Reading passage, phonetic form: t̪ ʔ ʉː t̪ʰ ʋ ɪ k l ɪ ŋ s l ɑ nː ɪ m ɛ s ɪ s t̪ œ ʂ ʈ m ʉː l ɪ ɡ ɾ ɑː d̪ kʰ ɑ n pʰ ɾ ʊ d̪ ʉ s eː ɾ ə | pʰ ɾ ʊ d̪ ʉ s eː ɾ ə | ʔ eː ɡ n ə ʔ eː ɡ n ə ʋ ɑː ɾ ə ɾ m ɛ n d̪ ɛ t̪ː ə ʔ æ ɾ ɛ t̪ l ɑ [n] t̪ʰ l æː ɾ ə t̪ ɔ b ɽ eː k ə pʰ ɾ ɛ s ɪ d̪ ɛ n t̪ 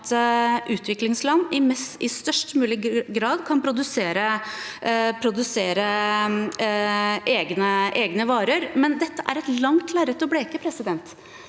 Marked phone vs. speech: incorrect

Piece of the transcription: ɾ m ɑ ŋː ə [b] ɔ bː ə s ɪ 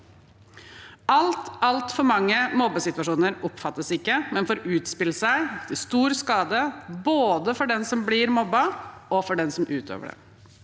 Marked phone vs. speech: incorrect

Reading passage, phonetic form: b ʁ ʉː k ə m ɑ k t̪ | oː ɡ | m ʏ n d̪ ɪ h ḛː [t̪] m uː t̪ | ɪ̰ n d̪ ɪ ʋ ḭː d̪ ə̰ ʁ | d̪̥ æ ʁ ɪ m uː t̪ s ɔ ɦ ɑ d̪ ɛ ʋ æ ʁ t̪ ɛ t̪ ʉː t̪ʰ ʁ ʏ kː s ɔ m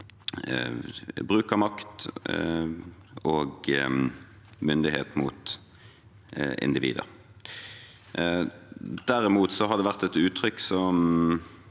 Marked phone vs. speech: correct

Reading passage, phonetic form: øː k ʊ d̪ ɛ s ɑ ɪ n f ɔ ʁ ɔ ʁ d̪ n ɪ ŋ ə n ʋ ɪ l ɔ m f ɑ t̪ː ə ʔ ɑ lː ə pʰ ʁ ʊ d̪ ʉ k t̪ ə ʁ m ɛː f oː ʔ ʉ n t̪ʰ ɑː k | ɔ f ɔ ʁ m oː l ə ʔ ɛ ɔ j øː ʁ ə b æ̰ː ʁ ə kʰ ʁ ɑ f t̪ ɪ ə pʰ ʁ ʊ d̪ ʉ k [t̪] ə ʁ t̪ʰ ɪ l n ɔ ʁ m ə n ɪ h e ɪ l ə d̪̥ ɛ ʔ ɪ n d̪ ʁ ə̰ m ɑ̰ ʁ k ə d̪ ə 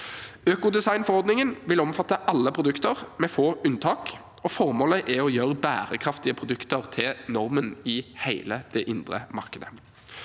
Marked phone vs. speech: correct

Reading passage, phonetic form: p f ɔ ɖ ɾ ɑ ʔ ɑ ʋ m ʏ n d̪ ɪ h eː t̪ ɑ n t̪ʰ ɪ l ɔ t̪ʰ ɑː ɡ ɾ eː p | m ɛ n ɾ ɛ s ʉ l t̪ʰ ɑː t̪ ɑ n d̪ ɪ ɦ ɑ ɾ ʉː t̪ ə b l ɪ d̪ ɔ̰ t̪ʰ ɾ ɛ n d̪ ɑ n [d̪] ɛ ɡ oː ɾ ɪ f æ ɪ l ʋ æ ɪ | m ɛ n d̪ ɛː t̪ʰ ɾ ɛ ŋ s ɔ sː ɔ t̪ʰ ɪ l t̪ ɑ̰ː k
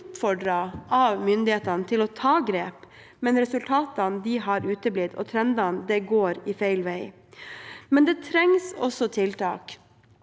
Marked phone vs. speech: correct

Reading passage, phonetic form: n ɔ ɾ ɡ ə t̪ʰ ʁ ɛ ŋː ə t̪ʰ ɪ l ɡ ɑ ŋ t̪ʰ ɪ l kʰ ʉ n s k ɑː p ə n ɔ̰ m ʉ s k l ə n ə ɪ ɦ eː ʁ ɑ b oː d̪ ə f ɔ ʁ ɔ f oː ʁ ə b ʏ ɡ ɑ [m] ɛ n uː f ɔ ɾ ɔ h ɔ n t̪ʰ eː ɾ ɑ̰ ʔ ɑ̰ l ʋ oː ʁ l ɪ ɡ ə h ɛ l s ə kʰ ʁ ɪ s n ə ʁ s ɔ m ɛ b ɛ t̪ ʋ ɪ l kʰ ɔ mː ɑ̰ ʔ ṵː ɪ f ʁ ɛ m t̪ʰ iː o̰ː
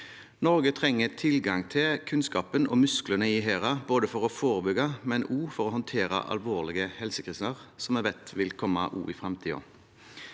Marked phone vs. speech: correct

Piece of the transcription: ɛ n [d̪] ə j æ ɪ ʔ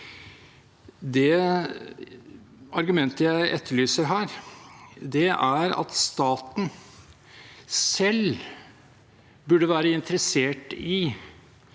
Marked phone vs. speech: incorrect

